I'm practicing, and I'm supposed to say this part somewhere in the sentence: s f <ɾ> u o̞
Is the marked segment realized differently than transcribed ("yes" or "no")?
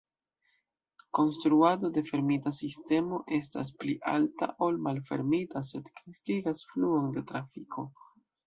yes